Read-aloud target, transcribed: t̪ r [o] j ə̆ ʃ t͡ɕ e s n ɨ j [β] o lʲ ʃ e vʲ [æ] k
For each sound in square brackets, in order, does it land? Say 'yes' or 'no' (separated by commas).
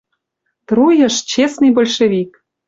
no, no, no